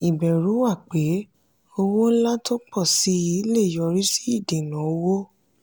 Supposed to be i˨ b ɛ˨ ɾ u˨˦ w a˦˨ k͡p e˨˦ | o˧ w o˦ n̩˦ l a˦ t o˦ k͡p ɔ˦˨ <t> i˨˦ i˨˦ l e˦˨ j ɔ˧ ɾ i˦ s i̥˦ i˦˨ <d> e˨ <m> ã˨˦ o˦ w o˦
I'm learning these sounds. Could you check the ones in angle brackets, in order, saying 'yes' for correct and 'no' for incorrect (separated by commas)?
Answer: no, yes, no